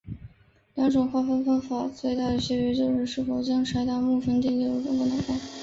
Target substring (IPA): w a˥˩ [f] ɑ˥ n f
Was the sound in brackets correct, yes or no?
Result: yes